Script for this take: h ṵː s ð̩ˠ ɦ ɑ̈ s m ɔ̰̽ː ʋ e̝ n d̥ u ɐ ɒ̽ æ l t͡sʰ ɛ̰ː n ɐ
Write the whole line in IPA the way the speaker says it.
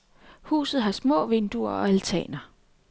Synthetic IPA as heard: h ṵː s ð̩ˠ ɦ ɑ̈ s m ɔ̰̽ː ʋ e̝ n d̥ u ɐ ɒ̽ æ l t͡sʰ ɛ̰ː n ɐ

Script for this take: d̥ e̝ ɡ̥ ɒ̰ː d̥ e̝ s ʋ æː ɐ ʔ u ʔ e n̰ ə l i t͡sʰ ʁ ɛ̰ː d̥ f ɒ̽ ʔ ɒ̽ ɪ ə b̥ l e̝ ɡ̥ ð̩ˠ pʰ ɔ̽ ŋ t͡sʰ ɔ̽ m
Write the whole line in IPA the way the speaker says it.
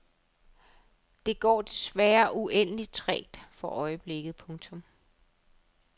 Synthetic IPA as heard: d̥ e̝ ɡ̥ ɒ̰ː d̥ e̝ s ʋ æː ɐ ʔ u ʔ e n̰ ə l i t͡sʰ ʁ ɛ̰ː d̥ f ɒ̽ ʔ ɒ̽ ɪ ə b̥ l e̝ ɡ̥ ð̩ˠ pʰ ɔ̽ ŋ t͡sʰ ɔ̽ m

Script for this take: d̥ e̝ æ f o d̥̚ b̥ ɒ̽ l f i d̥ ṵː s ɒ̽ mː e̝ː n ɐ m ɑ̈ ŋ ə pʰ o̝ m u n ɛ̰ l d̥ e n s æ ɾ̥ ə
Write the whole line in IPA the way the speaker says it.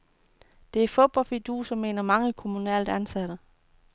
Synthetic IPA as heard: d̥ e̝ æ f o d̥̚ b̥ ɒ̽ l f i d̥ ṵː s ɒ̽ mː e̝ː n ɐ m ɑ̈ ŋ ə kʰ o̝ m u n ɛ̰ l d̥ æ n s æ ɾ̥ ə

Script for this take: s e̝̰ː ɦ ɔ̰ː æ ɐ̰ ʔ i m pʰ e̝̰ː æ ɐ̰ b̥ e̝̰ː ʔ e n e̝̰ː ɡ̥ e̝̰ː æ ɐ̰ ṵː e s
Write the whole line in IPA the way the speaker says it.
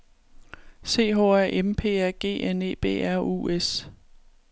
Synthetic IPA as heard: s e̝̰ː ɦ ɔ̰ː æ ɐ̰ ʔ e m pʰ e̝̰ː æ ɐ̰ ɡ̥ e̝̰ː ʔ e n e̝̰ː b̥ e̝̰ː æ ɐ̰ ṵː e s

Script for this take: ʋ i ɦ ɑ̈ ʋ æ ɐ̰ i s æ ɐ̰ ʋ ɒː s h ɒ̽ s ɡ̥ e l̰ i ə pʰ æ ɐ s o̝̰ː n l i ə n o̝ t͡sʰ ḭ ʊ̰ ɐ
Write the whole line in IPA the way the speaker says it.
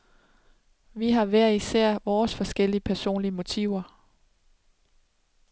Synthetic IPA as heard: ʋ i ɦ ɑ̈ ʋ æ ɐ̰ i s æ ɐ̰ ʋ ɒː s f ɒ̽ s ɡ̥ e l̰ i ə pʰ æ ɐ s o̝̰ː n l i ə m o̝ t͡sʰ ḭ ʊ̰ ɐ

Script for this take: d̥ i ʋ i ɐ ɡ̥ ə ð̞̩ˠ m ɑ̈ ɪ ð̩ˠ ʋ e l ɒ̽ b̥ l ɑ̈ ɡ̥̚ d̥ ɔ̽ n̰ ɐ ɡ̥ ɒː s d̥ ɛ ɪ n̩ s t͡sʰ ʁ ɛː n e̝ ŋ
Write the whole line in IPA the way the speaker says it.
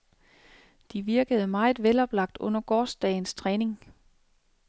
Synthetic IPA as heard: d̥ i ʋ i ɐ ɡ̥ ə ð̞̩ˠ m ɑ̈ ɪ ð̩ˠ ʋ e l ɒ̽ b̥ l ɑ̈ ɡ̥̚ d̥ ɔ̽ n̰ ɐ ɡ̥ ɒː s d̥ ɛ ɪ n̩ s t͡sʰ ʁ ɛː n e̝ ŋ

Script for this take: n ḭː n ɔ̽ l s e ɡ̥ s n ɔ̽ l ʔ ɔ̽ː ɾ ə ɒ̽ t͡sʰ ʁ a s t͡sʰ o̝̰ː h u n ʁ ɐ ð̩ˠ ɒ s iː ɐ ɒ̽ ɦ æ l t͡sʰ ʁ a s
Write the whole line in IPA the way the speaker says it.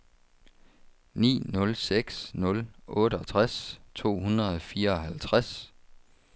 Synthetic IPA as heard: n ḭː n ɔ̽ l s e ɡ̥ s n ɔ̽ l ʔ ɔ̽ː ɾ ə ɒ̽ t͡sʰ ʁ a s t͡sʰ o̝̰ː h u n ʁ ɐ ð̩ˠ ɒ f iː ɐ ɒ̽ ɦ æ l t͡sʰ ʁ a s

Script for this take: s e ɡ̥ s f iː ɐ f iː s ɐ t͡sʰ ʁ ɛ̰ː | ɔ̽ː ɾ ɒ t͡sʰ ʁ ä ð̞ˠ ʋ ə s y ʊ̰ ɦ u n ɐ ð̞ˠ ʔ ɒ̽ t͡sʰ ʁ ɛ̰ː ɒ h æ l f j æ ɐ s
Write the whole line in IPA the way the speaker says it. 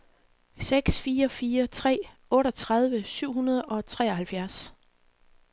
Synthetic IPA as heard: s e ɡ̥ s f iː ɐ f iː ɐ t͡sʰ ʁ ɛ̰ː | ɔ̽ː ɾ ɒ t͡sʰ ʁ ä ð̞ˠ ʋ ə s y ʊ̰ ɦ u n ɐ ð̞ˠ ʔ ɒ̽ t͡sʰ ʁ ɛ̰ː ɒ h æ l f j æ ɐ s

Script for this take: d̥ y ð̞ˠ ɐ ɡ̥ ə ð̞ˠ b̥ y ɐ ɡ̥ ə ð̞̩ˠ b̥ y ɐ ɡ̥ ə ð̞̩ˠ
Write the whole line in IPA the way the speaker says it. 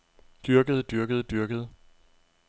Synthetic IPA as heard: d̥ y ɐ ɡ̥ ə ð̞ˠ d̥ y ɐ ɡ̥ ə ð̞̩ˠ d̥ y ɐ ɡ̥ ə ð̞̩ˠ

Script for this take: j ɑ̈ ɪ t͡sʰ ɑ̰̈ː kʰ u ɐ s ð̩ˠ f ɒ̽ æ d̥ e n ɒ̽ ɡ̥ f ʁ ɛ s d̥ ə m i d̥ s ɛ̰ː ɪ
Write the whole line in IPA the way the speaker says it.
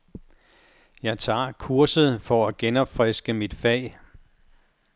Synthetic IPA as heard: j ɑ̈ ɪ t͡sʰ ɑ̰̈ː kʰ u ɐ s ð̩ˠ f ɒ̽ æ ɡ̥ e n ɒ̽ b̥ f ʁ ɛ s ɡ̥ ə m i d̥ f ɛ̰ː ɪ

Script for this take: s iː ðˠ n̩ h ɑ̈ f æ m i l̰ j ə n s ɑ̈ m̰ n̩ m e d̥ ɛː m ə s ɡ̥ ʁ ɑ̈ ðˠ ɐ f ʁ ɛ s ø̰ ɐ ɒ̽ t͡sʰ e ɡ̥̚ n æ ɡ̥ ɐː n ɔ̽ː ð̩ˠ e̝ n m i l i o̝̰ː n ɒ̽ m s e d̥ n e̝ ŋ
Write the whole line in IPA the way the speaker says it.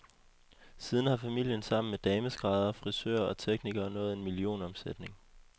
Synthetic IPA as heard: s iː ðˠ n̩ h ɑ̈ f æ m i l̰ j ə n s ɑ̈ m̰ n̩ m e d̥ ɛː m ə s ɡ̥ ʁ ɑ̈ ðˠ ɐ f ʁ i s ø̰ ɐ ɒ̽ t͡sʰ e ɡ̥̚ n i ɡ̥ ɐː n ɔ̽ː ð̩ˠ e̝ n m i l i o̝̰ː n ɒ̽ m s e d̥ n e̝ ŋ

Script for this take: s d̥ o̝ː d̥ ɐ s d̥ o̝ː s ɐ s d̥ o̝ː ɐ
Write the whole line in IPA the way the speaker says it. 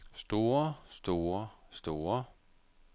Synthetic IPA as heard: s d̥ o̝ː ɐ s d̥ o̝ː ɐ s d̥ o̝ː ɐ

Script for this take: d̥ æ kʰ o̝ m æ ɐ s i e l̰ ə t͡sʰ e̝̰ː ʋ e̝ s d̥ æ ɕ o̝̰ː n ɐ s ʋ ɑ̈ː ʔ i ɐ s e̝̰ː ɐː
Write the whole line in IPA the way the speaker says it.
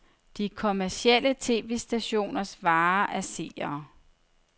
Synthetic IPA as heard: d̥ i kʰ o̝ m æ ɐ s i e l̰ ə t͡sʰ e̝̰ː ʋ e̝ s d̥ æ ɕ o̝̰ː n ɐ s ʋ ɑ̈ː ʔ æ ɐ s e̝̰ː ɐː

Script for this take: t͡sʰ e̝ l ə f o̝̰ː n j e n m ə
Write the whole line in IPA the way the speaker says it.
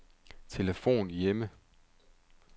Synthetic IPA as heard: t͡sʰ e̝ l ə f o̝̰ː n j e m ə

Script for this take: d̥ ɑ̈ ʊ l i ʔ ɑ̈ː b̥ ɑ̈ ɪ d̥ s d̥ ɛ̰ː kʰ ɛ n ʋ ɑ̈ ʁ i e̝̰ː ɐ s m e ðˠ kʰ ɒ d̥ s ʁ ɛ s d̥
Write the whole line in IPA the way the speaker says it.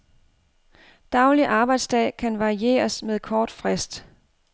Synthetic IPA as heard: d̥ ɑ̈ ʊ l i ʔ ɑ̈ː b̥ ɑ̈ ɪ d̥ s d̥ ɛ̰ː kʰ æ n ʋ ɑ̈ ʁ i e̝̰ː ɐ s m e ðˠ kʰ ɒː d̥ f ʁ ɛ s d̥

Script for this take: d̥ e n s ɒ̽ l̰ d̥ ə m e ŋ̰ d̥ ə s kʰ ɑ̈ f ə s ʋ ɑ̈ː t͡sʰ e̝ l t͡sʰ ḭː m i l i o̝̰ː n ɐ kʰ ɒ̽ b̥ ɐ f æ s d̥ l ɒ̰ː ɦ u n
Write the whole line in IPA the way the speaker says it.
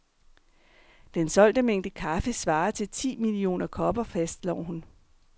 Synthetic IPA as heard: d̥ e n s ɒ̽ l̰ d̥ ə m e ŋ̰ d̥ ə kʰ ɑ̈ f ə s ʋ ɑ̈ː t͡sʰ e̝ l t͡sʰ ḭː m i l i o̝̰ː n ɐ kʰ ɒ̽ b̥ ɐ f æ s d̥ l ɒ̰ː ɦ u n

